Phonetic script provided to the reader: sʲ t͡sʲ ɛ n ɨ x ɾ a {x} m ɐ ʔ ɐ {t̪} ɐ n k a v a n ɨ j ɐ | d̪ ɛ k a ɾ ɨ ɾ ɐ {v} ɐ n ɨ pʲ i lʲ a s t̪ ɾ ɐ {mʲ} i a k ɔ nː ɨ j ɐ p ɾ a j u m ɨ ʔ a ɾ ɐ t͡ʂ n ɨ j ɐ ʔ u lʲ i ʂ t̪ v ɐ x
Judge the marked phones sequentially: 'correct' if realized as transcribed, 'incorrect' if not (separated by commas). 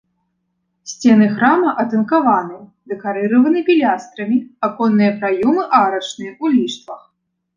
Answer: incorrect, correct, correct, correct